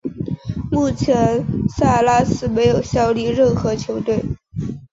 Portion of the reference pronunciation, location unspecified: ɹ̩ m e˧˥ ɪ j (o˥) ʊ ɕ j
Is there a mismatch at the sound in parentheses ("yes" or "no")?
yes